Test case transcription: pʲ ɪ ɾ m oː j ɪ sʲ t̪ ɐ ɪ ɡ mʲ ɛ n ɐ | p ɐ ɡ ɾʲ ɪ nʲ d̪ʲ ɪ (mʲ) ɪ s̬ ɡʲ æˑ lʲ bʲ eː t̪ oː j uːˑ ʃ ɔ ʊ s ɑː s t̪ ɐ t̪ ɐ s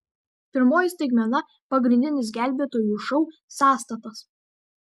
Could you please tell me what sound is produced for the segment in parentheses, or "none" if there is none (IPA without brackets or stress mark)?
nʲ